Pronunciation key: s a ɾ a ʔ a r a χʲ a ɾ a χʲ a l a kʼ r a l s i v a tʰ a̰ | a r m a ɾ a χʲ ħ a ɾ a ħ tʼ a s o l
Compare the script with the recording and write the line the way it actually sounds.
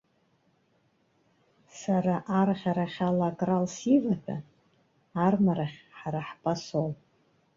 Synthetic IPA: s a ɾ a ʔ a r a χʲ a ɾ a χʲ a l a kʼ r a l s i v a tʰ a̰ | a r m a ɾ a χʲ ħ a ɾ a ħ pʼ a s o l